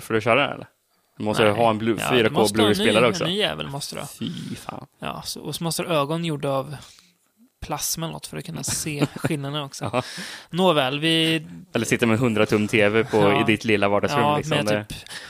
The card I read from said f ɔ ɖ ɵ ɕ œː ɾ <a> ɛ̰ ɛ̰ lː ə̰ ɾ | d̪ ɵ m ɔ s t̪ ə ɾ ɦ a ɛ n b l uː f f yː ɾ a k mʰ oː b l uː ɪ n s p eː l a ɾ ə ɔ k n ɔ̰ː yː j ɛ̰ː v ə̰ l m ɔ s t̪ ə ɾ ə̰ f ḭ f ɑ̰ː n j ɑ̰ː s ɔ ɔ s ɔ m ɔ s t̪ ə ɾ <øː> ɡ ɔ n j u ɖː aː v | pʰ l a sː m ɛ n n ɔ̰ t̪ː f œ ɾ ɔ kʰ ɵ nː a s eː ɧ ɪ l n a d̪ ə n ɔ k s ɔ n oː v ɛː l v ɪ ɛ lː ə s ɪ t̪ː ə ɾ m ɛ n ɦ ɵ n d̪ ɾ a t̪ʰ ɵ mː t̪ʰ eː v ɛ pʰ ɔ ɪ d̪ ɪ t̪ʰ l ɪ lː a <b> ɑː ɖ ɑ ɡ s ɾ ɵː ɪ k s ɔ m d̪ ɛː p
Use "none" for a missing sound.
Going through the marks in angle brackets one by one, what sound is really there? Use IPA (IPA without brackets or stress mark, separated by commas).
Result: a, øː, v